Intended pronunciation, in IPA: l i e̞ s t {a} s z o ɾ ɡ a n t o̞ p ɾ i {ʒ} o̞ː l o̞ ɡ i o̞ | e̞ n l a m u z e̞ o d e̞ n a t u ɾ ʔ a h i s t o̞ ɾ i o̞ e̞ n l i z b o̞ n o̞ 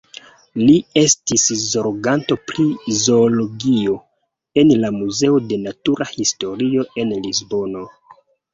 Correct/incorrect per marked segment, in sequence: incorrect: i, incorrect: z

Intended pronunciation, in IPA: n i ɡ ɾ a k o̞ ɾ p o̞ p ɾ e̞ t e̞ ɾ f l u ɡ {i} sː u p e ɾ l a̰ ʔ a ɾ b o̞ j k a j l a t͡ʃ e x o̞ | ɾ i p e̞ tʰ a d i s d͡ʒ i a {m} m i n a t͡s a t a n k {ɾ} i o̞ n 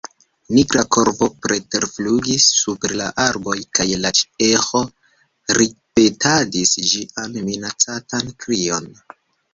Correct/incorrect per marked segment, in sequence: correct, incorrect: n, correct

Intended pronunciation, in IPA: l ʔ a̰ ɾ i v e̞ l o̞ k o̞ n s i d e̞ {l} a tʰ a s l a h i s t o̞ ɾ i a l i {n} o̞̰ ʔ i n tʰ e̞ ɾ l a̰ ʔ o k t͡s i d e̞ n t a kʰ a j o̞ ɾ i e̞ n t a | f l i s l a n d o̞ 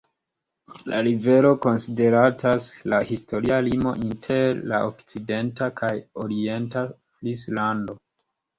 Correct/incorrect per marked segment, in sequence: incorrect: ɾ, incorrect: m

